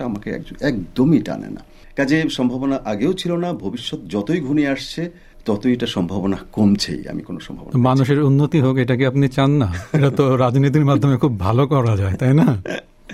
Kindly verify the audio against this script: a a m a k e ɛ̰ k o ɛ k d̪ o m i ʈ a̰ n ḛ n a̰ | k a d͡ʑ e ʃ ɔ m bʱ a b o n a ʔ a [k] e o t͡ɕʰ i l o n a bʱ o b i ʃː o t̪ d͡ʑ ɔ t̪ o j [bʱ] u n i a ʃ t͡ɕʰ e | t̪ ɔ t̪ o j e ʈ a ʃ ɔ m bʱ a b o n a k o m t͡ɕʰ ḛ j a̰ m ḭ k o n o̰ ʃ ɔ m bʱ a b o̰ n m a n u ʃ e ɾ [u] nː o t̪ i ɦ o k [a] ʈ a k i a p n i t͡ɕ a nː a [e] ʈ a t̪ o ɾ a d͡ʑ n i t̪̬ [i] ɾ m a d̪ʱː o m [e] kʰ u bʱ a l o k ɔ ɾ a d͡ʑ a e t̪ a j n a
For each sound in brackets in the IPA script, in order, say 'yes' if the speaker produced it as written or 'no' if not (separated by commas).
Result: no, no, yes, no, yes, yes, yes